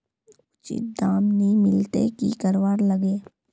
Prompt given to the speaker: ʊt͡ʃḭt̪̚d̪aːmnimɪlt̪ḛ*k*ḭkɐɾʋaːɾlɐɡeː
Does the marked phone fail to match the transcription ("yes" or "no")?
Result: no